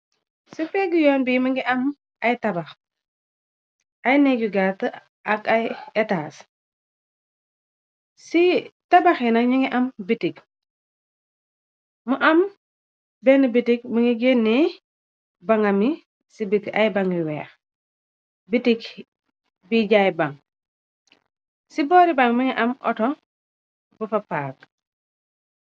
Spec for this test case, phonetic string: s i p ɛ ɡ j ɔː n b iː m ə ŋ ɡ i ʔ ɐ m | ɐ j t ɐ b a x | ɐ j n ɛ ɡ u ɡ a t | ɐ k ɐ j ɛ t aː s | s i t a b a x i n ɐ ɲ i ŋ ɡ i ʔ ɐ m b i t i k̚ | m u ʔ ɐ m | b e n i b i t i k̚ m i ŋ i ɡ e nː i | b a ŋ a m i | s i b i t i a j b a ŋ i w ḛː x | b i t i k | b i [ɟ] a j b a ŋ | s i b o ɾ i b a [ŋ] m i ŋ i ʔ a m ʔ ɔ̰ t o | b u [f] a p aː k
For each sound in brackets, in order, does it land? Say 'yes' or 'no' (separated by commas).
yes, yes, yes